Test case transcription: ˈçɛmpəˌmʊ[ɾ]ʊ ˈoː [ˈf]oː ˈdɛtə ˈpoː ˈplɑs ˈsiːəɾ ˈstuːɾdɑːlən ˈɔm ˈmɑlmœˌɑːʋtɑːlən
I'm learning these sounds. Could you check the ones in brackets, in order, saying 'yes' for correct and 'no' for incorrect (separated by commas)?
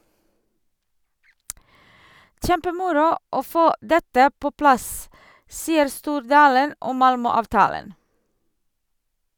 yes, yes